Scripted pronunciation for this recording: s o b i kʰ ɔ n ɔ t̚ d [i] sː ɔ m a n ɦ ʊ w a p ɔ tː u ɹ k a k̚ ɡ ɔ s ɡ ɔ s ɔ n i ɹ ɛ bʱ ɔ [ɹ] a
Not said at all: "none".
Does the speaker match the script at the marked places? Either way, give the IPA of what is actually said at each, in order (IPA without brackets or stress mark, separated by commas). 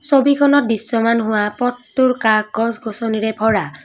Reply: i, ɹ